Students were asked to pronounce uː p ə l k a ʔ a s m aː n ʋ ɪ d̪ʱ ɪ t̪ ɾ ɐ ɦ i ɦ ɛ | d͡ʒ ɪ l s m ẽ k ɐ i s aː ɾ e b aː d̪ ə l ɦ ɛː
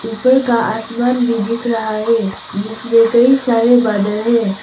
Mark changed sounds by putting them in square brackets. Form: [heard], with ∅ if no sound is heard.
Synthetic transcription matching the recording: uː p ə [ɾ] k a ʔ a s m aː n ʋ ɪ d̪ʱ ɪ t̪ ɾ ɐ ɦ [a] ɦ ɛ | d͡ʒ ɪ [∅] s m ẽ k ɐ i s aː ɾ e b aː d̪ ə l ɦ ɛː